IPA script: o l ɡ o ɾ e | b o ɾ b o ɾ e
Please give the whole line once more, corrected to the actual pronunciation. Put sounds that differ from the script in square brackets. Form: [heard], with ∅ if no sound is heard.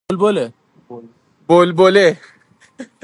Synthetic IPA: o l [b] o [l] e | b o [l] b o [l] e